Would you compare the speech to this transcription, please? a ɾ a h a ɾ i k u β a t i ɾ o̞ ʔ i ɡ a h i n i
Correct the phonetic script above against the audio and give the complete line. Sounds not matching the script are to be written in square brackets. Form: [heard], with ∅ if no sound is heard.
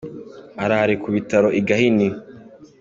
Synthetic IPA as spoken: a ɾ a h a ɾ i k u β [i] t [a] ɾ o̞ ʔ i ɡ a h i n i